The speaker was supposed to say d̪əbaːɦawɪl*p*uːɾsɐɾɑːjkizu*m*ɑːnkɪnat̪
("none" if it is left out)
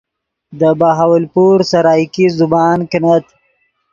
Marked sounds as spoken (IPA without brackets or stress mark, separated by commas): p, b